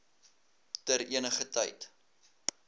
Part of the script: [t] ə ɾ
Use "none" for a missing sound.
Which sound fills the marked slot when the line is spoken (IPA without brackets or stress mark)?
t